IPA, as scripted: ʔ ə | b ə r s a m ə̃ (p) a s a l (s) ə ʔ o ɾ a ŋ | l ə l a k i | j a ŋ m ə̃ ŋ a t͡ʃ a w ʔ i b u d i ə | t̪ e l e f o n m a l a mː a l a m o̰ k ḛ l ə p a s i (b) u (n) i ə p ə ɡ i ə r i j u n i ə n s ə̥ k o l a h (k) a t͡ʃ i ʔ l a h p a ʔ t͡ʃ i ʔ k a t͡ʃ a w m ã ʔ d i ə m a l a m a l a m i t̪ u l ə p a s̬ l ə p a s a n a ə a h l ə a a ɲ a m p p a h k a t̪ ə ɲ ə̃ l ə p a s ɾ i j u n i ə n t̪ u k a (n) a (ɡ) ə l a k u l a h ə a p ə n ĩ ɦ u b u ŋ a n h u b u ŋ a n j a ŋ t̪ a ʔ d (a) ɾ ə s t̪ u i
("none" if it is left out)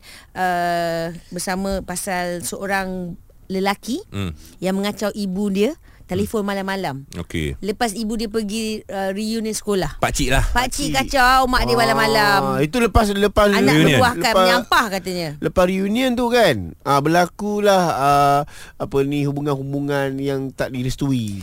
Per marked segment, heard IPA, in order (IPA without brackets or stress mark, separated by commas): p, s, b, d, p, n, b, i